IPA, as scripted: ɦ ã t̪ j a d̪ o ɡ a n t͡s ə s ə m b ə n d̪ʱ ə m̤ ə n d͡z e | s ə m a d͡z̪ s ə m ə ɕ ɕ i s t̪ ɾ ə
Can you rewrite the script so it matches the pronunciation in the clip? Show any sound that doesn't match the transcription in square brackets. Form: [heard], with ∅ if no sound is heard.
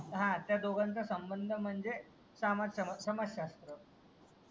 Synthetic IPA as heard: ɦ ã t̪ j a d̪ o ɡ a n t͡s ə s ə m b ə n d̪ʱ ə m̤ ə [ɳ] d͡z e | s [a] m a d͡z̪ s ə m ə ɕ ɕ [a] s t̪ ɾ ə